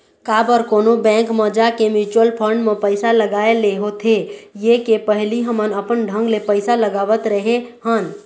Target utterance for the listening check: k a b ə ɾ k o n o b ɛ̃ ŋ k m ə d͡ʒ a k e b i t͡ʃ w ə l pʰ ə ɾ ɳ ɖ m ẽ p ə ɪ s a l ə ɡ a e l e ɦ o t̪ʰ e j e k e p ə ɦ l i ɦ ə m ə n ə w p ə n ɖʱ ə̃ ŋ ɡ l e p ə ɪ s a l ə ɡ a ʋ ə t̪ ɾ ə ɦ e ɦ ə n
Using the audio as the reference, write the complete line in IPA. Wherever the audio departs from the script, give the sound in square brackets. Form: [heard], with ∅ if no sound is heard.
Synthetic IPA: k a b ə ɾ k o n o b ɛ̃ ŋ k m ə d͡ʒ a k e [m] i t͡ʃ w ə l pʰ ə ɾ ɳ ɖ m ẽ p ə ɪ s a l ə ɡ a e l e ɦ o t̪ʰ e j e k e p ə ɦ l i ɦ ə m ə n ə [∅] p ə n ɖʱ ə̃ ŋ ɡ l e p ə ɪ s a l ə ɡ a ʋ ə t̪ ɾ ə ɦ e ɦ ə n